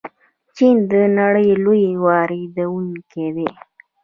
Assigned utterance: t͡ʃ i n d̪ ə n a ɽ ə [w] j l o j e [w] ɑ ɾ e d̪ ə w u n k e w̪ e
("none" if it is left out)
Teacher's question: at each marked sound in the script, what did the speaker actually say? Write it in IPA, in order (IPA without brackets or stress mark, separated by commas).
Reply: none, w